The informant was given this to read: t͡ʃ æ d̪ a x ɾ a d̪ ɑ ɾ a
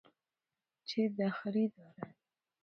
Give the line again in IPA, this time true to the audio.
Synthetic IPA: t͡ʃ e d̪ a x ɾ i d̪ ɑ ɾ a